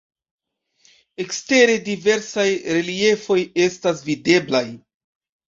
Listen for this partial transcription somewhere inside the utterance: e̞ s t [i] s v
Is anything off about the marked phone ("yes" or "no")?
yes